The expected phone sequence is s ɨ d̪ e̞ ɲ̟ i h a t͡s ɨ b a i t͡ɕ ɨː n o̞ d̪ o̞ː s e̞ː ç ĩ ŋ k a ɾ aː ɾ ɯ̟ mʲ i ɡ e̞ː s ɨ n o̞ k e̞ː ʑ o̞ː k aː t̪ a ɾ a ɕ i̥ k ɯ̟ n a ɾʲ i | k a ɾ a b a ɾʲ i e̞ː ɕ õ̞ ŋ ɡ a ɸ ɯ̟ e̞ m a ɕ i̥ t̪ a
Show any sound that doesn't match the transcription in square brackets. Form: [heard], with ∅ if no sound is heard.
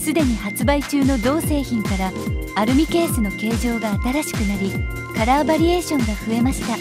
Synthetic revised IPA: s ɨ d̪ e̞ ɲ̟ i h a t͡s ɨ b a i t͡ɕ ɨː n o̞ d̪ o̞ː s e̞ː ç ĩ ŋ k a ɾ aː ɾ ɯ̟ mʲ i [k] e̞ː s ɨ n o̞ k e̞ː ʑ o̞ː [ɡ] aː t̪ a ɾ a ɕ i̥ k ɯ̟ n a ɾʲ i | k a ɾ a b a ɾʲ i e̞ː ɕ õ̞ ŋ ɡ a ɸ ɯ̟ e̞ m a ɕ i̥ t̪ a

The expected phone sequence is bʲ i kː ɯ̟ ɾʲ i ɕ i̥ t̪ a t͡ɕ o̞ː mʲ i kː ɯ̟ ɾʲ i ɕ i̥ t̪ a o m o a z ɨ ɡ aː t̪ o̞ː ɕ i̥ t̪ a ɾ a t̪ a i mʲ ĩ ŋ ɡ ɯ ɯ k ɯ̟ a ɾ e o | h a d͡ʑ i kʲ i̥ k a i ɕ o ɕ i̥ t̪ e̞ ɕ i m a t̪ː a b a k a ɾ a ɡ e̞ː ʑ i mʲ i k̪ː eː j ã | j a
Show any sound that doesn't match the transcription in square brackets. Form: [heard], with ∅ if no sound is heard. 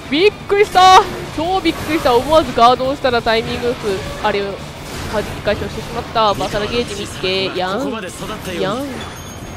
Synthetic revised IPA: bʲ i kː ɯ̟ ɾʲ i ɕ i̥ t̪ a t͡ɕ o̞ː [bʲ] i kː ɯ̟ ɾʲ i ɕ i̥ t̪ a o m o a z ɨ ɡ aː [d̪] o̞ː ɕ i̥ t̪ a ɾ a t̪ a i mʲ ĩ ŋ ɡ ɯ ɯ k ɯ̟ a ɾ e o | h a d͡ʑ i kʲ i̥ k a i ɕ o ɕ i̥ t̪ e̞ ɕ i m a t̪ː a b a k a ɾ a ɡ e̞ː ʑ i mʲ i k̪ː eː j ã | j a

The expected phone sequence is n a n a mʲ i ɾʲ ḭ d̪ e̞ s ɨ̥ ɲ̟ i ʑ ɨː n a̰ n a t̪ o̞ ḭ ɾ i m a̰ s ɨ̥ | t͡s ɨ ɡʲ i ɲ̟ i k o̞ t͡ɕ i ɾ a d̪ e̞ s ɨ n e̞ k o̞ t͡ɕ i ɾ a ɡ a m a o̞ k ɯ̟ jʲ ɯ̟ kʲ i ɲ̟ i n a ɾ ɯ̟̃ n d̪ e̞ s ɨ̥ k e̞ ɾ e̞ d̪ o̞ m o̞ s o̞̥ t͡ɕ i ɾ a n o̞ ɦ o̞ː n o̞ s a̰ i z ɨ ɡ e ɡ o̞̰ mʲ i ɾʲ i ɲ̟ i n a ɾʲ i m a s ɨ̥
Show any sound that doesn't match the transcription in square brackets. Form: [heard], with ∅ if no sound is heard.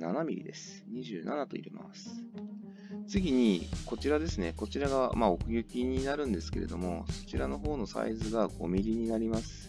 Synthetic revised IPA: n a n a mʲ i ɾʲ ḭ d̪ e̞ s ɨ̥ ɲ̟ i ʑ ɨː n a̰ n a t̪ o̞ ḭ ɾ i m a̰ s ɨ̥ | t͡s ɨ ɡʲ i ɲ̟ i k o̞ t͡ɕ i ɾ a d̪ e̞ s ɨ n e̞ k o̞ t͡ɕ i ɾ a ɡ a m a o̞ k ɯ̟ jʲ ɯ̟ kʲ i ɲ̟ i n a ɾ ɯ̟̃ n d̪ e̞ s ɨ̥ k e̞ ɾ e̞ d̪ o̞ m o̞ s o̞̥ t͡ɕ i ɾ a n o̞ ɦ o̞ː n o̞ s a̰ i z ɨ ɡ [a] ɡ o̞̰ mʲ i ɾʲ i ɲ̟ i n a ɾʲ i m a s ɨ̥

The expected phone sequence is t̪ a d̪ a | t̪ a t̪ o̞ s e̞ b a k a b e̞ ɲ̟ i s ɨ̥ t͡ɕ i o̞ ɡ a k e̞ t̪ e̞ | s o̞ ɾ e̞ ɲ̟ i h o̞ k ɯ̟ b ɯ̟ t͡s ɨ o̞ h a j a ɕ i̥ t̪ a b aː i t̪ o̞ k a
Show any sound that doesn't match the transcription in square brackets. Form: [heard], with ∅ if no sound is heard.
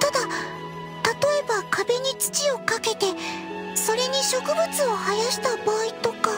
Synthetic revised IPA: t̪ a d̪ a | t̪ a t̪ o̞ [∅] e̞ b a k a b e̞ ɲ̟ i [t͡s] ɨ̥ t͡ɕ i o̞ [k] a k e̞ t̪ e̞ | s o̞ ɾ e̞ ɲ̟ i [ɕ] o̞ k ɯ̟ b ɯ̟ t͡s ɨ o̞ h a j a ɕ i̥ t̪ a b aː i t̪ o̞ k a

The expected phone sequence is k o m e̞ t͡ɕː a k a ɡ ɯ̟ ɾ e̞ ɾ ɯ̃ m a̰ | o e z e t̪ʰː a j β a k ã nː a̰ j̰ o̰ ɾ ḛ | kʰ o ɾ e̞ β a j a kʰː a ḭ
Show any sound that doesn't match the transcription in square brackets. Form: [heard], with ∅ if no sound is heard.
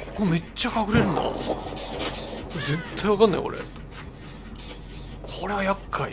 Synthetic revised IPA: k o m e̞ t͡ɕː a k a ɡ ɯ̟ ɾ e̞ ɾ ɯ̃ [n] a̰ | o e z e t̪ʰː a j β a k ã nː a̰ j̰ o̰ ɾ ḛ | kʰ o ɾ e̞ β a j a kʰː a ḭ

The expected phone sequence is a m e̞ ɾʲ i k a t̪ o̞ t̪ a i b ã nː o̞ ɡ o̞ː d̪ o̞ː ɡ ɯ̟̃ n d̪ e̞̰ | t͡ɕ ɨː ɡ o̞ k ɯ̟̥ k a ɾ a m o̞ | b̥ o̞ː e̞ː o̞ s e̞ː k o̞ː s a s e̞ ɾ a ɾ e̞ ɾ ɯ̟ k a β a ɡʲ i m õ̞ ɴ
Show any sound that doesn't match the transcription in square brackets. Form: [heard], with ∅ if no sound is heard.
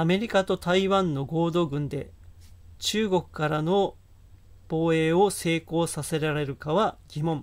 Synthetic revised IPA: a m e̞ ɾʲ i k a t̪ o̞ t̪ a i [β] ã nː o̞ ɡ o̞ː d̪ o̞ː ɡ ɯ̟̃ n d̪ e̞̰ | t͡ɕ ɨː ɡ o̞ k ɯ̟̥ k a ɾ a [n] o̞ | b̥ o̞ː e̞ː o̞ s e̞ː k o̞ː s a s e̞ ɾ a ɾ e̞ ɾ ɯ̟ k a β a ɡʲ i m õ̞ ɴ

